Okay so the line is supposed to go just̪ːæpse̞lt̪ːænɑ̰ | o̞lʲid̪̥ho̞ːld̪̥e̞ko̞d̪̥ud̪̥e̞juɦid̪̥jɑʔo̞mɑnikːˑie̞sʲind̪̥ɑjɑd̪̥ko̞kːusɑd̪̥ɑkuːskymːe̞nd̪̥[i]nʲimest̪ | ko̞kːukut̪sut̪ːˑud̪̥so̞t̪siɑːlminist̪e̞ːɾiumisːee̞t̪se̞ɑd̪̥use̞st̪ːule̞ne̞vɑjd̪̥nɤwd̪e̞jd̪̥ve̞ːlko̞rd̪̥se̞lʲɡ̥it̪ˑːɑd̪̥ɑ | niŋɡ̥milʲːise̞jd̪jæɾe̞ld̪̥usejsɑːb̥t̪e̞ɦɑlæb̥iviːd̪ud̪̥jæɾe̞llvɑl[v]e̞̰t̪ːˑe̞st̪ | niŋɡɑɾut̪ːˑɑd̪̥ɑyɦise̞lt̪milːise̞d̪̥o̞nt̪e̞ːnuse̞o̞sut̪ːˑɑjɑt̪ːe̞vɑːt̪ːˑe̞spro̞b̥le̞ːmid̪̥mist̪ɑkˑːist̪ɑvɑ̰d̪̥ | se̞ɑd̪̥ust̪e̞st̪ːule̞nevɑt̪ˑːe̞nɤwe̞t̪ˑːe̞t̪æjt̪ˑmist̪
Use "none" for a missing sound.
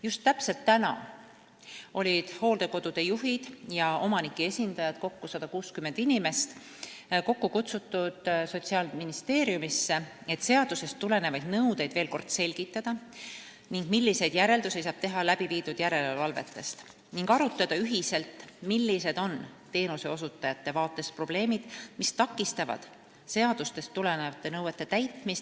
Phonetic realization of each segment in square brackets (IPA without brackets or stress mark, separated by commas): i, v